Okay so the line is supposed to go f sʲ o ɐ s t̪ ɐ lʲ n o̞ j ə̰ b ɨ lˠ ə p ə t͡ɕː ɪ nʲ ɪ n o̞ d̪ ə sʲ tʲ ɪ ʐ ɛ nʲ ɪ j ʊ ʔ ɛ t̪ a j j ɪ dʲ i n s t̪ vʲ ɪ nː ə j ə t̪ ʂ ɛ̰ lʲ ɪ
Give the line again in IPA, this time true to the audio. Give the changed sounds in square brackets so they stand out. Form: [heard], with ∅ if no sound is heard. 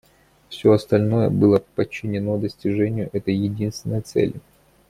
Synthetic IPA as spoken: f sʲ o ɐ s t̪ ɐ lʲ n o̞ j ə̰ b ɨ lˠ ə p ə t͡ɕː ɪ nʲ ɪ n o̞ d̪ ə sʲ tʲ ɪ ʐ ɛ nʲ ɪ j ʊ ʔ ɛ t̪ [ə] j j ɪ dʲ i n s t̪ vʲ ɪ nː ə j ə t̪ [s] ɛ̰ lʲ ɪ